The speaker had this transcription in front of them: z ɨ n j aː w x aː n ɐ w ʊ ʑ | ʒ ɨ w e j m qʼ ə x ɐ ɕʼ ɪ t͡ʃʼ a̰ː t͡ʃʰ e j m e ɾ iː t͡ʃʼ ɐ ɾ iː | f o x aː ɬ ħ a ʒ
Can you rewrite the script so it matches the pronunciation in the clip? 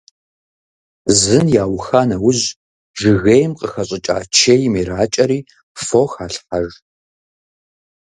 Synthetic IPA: z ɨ n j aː w x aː n ɐ w ʊ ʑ | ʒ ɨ ɣ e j m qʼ ə x ɐ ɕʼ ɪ t͡ʃʼ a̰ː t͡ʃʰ e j m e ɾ aː t͡ʃʼ ɐ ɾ iː | f o x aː ɬ ħ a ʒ